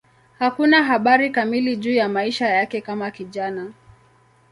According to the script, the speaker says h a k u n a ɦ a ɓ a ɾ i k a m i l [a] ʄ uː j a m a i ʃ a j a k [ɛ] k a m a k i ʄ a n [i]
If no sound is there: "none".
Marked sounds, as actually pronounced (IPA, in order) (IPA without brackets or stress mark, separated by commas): i, ɛ, a